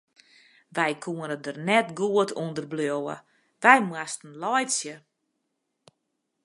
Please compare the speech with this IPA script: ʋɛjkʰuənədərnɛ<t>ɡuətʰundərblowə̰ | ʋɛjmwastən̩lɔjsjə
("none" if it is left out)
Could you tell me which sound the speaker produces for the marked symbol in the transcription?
t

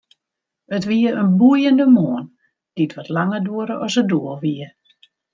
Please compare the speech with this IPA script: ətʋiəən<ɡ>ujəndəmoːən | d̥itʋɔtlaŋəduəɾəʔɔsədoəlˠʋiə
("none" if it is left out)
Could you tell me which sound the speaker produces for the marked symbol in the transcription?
b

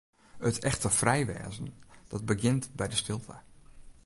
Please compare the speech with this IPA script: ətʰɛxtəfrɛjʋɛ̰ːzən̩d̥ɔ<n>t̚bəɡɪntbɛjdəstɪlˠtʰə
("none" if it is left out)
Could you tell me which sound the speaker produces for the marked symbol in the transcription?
none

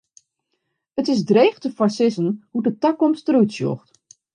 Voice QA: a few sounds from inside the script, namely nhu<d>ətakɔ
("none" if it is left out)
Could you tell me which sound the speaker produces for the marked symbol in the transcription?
d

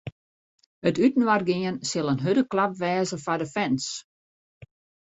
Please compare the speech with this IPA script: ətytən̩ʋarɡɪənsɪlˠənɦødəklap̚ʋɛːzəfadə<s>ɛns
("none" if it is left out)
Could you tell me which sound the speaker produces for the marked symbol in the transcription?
f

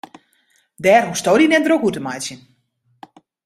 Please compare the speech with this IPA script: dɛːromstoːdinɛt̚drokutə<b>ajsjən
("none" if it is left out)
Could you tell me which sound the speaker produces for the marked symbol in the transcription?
m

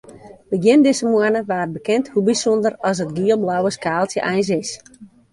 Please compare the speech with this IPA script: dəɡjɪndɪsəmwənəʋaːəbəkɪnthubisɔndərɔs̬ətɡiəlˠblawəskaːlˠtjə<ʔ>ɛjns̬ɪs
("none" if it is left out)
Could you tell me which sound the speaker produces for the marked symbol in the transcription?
ʔ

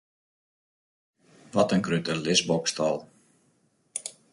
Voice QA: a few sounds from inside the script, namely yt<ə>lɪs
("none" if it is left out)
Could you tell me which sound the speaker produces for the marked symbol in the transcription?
ə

